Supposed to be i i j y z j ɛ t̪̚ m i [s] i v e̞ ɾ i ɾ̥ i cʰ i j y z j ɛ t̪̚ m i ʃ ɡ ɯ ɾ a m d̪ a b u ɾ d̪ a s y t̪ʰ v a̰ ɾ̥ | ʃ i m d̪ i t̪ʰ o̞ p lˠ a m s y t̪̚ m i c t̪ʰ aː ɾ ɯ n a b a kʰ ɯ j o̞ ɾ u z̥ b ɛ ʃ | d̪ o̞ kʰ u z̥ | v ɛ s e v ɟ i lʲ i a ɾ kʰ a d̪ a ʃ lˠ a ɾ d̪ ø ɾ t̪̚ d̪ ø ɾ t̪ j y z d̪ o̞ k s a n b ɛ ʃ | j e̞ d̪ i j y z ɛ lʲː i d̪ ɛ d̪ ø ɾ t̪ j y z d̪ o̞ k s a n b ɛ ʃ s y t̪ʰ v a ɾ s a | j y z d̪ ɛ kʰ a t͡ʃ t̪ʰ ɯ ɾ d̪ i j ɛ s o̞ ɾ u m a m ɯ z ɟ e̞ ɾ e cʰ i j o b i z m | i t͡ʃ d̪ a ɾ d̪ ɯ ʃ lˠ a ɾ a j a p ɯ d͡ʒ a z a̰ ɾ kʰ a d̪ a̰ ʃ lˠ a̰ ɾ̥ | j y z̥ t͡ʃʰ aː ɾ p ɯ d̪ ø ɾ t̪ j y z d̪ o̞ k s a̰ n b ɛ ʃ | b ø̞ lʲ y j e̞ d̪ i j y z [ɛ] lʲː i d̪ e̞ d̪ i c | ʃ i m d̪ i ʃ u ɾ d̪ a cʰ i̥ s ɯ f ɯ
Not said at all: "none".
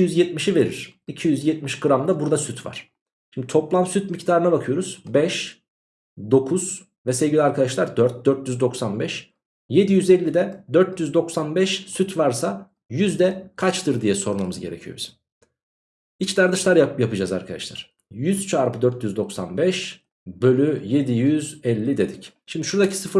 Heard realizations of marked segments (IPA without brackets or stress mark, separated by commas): ʃ, ɛ